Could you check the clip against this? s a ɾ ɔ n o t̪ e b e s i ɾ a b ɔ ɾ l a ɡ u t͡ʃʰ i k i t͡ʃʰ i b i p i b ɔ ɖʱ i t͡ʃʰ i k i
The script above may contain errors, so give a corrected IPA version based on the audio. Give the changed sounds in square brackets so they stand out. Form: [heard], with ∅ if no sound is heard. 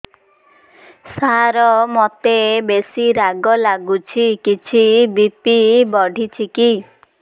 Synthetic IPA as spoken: s a ɾ ɔ [m] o t̪ e b e s i ɾ a [ɡ] ɔ [∅] l a ɡ u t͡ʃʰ i k i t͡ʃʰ i b i p i b ɔ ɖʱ i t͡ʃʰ i k i